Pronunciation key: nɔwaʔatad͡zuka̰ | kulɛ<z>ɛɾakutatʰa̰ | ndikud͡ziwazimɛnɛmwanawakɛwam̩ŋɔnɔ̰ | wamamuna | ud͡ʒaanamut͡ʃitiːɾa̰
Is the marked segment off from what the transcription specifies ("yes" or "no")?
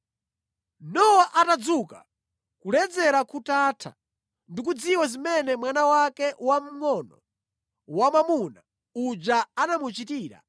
yes